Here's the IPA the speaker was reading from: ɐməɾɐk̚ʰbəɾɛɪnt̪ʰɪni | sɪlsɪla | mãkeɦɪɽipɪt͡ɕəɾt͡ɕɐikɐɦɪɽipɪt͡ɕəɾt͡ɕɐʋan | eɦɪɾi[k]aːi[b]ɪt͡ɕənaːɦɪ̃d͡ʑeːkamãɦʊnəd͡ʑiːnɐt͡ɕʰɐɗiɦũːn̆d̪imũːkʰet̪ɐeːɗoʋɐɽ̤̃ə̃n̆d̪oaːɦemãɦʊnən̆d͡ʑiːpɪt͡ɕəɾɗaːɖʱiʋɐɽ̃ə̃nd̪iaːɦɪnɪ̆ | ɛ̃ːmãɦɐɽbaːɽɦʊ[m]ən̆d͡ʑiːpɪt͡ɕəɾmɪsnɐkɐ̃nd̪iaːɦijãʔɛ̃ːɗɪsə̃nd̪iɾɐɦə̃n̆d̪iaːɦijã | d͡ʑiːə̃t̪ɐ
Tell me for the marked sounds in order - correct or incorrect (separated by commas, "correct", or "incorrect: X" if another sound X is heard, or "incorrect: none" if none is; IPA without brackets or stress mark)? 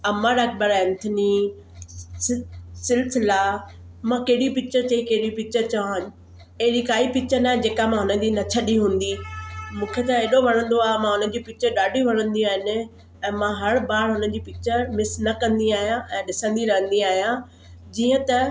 correct, incorrect: p, incorrect: n